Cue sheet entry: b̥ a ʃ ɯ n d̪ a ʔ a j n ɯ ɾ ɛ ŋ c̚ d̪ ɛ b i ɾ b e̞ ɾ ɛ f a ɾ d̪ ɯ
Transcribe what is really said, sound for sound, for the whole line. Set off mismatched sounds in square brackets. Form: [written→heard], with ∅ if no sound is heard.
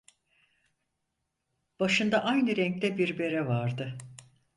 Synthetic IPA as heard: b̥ a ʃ ɯ n d̪ a ʔ a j n ɯ ɾ ɛ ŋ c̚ [d̪→t̪] ɛ b i ɾ b e̞ ɾ ɛ [f→v] a ɾ d̪ ɯ